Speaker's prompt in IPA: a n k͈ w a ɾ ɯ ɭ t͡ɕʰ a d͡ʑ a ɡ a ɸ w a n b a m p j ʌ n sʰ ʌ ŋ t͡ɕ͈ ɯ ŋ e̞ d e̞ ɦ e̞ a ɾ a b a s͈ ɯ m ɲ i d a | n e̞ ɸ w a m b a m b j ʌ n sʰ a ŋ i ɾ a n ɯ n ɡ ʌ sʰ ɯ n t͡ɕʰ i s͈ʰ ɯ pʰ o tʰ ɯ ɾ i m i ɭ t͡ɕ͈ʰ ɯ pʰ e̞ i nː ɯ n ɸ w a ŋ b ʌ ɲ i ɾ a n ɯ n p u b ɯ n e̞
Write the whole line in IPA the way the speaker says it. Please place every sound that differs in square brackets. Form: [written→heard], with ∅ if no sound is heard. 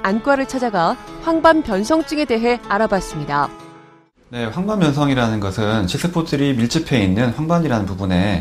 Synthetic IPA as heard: a n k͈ w a ɾ ɯ ɭ t͡ɕʰ a d͡ʑ a ɡ a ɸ w a [n→ŋ] b a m p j ʌ n sʰ ʌ ŋ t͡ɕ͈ ɯ ŋ e̞ d e̞ ɦ e̞ a ɾ a b a s͈ ɯ m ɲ i d a | n e̞ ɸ w a [m→ŋ] b a m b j ʌ n sʰ [a→ʌ] ŋ i ɾ a n ɯ n ɡ ʌ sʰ ɯ n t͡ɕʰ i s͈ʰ ɯ pʰ o tʰ ɯ ɾ i m i ɭ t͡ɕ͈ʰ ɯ pʰ e̞ i nː ɯ n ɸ w a ŋ b [ʌ→a] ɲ i ɾ a n ɯ n p u b [ɯ→u] n e̞

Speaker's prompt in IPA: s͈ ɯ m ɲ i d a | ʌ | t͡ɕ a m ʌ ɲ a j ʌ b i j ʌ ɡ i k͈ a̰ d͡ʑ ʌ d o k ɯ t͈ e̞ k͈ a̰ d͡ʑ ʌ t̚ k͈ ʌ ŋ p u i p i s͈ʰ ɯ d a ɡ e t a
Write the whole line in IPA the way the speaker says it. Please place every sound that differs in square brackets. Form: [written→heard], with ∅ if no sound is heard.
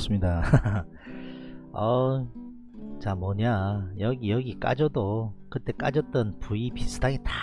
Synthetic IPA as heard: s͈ ɯ m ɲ i d a | ʌ | t͡ɕ a m ʌ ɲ a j ʌ [b→ɡ] i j ʌ ɡ i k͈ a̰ d͡ʑ ʌ d o k ɯ t͈ e̞ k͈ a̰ d͡ʑ ʌ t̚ [k͈→t͈] ʌ [ŋ→n] p u i p i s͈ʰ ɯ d a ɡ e t a

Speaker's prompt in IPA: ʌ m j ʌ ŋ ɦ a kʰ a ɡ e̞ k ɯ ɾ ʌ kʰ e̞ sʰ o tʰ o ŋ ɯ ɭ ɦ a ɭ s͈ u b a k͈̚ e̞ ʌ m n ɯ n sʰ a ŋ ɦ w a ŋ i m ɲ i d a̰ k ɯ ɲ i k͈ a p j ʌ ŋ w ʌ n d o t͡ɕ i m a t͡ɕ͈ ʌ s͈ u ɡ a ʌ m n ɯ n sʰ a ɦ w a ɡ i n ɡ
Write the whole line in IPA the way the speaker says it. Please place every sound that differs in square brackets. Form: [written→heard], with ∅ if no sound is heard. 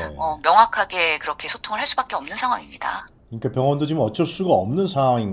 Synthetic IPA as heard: ʌ m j ʌ ŋ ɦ a kʰ a ɡ e̞ k ɯ ɾ ʌ kʰ e̞ sʰ o tʰ o ŋ ɯ ɭ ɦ a ɭ s͈ u b a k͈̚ e̞ ʌ m n ɯ n sʰ a ŋ ɦ w a ŋ i m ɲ i d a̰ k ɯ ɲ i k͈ a p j ʌ ŋ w ʌ n d o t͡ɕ i m [a→ʌ] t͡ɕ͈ ʌ s͈ u ɡ a ʌ m n ɯ n sʰ a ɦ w a [ɡ→ŋ] i n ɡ

